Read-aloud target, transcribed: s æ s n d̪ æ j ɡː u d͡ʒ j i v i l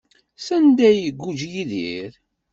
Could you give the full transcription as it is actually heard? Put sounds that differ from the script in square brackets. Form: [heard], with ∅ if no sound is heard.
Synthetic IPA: s æ [∅] n d̪ æ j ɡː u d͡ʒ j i [ð] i [ɾ]